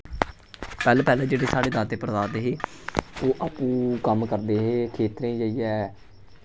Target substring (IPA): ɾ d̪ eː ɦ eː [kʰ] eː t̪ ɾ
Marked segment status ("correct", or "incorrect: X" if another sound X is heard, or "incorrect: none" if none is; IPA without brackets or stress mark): correct